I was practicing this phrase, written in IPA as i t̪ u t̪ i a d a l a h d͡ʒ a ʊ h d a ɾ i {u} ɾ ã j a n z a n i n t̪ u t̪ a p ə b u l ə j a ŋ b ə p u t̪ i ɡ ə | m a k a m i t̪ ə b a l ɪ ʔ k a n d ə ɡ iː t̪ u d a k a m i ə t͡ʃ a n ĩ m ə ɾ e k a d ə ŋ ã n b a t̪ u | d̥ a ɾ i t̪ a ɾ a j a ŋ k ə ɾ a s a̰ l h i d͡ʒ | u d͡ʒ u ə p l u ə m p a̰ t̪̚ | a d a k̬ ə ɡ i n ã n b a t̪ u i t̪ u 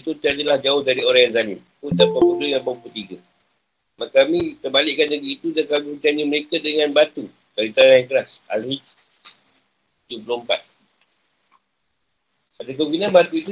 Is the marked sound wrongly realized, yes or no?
yes